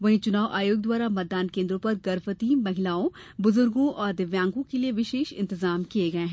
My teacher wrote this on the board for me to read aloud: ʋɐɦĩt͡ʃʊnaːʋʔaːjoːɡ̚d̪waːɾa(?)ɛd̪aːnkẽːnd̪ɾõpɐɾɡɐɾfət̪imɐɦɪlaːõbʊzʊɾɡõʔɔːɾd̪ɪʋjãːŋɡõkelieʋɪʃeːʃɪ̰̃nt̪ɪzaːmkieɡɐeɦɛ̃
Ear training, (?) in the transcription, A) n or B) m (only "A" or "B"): B